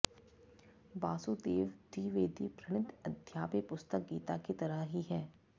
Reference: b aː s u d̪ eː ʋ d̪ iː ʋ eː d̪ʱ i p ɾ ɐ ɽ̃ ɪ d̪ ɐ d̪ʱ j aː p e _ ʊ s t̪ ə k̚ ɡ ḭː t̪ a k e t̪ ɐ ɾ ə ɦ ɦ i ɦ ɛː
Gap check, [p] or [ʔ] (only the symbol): p